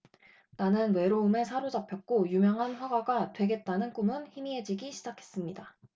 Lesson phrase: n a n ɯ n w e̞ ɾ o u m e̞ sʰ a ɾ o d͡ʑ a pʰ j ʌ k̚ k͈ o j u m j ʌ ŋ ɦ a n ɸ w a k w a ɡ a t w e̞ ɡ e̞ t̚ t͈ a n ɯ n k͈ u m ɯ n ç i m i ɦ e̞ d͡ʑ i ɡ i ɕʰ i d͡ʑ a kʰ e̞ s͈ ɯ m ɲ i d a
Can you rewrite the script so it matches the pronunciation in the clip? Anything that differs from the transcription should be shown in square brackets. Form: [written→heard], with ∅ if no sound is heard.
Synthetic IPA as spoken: n a n ɯ n w e̞ ɾ o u m e̞ sʰ a ɾ o d͡ʑ a pʰ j ʌ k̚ k͈ o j u m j ʌ ŋ ɦ a n ɸ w a [k→ɡ] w a ɡ a t w e̞ ɡ e̞ t̚ t͈ a n ɯ n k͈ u m ɯ n ç i m i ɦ e̞ d͡ʑ i ɡ i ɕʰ i d͡ʑ a kʰ e̞ s͈ ɯ m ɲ i d a